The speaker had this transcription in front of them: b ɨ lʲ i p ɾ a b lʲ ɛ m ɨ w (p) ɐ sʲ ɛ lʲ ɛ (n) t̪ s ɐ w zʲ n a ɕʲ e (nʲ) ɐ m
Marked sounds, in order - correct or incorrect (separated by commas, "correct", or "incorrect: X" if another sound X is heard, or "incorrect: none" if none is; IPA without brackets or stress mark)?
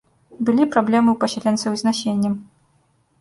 correct, correct, incorrect: nʲː